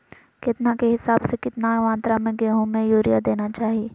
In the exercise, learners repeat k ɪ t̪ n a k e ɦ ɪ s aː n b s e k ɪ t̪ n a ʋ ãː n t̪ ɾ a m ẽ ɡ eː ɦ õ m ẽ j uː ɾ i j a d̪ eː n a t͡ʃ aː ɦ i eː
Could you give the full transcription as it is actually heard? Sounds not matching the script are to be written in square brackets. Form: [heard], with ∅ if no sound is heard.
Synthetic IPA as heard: k ɪ t̪ n a k e ɦ ɪ s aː [∅] b s e k ɪ t̪ n a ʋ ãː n t̪ ɾ a m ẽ ɡ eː ɦ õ m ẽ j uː ɾ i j a d̪ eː n a t͡ʃ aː ɦ i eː